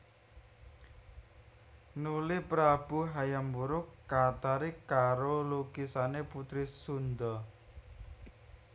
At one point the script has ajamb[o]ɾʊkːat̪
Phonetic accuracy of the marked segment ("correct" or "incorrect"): incorrect